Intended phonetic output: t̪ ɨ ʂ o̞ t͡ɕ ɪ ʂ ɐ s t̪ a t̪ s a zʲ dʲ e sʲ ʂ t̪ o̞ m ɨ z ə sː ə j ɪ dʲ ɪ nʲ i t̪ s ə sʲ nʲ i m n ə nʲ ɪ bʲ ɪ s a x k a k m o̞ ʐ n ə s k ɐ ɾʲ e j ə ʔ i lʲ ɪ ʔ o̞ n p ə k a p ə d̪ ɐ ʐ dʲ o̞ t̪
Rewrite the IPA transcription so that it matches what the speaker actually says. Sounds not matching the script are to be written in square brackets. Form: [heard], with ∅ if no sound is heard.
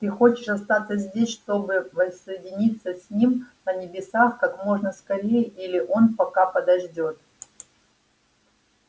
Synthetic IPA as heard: t̪ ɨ [x] o̞ t͡ɕ ɪ ʂ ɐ s t̪ a t̪ s [ə] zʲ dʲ e sʲ ʂ t̪ o̞ [b] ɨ [v] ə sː ə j ɪ dʲ ɪ nʲ i t̪ s ə sʲ nʲ i m n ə nʲ ɪ bʲ ɪ s a x k a k m o̞ ʐ n ə s k ɐ ɾʲ e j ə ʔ i lʲ ɪ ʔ o̞ n p [ɐ] k a p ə d̪ ɐ ʐ dʲ o̞ t̪